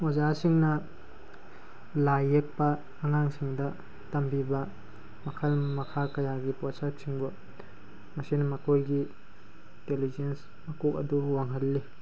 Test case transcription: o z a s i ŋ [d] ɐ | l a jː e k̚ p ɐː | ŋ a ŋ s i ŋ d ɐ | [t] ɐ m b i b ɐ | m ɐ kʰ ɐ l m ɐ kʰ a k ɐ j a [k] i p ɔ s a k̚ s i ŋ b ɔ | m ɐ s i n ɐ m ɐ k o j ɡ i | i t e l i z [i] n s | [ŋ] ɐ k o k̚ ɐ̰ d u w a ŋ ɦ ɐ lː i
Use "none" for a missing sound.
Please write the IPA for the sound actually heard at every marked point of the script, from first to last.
n, t, ɡ, e, m

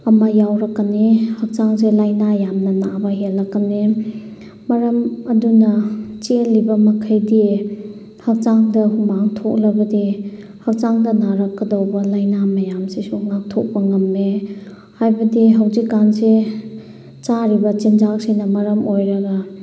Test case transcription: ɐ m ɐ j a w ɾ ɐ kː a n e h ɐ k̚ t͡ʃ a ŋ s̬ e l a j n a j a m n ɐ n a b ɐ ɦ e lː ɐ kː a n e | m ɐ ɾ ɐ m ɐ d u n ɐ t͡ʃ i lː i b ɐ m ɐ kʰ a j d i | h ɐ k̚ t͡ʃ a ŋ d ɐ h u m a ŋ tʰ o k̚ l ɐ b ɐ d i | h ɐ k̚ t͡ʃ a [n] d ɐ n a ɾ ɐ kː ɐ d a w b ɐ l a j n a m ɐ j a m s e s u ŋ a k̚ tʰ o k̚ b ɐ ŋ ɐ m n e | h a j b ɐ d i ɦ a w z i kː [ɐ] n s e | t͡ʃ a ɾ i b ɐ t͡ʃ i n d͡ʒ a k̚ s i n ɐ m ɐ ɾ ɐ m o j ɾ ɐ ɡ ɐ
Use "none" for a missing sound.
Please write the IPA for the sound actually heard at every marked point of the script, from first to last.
ŋ, a

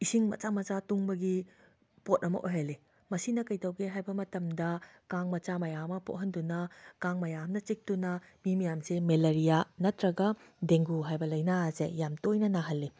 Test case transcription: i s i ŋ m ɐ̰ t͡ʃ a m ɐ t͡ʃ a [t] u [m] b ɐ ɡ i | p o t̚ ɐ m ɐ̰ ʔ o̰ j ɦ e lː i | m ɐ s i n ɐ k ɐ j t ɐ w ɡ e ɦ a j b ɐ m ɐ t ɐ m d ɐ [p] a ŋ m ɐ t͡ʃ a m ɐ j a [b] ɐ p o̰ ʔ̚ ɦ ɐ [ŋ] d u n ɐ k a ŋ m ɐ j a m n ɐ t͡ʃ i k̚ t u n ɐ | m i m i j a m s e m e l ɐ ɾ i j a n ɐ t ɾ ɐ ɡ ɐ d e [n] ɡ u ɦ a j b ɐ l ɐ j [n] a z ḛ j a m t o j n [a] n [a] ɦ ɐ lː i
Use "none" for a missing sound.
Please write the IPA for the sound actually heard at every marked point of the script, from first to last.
t, ŋ, k, m, n, ŋ, n, ɐ, a

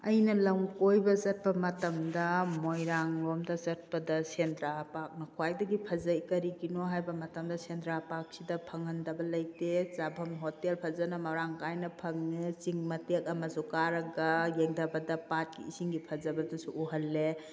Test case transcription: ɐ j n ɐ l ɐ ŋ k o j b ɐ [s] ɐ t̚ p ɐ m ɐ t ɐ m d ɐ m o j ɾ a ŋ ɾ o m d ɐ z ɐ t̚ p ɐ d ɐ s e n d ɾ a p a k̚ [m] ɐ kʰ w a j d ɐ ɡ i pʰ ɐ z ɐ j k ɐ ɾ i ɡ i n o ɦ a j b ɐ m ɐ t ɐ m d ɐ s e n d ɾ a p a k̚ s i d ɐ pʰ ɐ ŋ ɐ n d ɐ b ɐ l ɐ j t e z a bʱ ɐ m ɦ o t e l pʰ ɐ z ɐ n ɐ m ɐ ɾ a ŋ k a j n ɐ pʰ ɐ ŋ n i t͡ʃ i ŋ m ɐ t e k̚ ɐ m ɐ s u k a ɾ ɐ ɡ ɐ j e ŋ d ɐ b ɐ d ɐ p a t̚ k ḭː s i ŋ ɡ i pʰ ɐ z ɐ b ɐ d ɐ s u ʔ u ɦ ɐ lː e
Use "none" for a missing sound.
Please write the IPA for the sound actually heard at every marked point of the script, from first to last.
z, n

